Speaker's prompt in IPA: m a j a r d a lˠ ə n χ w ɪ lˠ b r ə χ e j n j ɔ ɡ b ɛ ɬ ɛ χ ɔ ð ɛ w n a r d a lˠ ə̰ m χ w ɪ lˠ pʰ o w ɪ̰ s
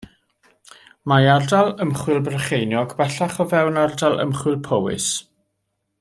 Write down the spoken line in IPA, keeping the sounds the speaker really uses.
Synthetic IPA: m a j a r d a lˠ ə m χ w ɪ lˠ b r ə χ e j n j ɔ ɡ b ɛ ɬ a χ ɔ v ɛ w n a r d a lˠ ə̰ m χ w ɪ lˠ pʰ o w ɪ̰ s